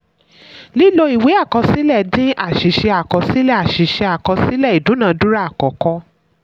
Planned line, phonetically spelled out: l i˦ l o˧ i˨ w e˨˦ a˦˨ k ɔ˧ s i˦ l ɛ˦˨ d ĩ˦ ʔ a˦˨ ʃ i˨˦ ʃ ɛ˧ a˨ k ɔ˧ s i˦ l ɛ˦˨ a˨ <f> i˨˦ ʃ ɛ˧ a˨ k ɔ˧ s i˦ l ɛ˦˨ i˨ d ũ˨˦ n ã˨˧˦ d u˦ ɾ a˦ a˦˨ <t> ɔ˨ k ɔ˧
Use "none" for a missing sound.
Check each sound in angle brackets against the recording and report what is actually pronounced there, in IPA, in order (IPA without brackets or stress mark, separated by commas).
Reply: ʃ, k